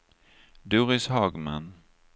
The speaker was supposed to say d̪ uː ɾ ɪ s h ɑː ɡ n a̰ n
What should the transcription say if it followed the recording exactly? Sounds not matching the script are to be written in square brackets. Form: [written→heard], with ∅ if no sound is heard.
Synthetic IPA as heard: d̪ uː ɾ ɪ s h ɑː ɡ [n→m] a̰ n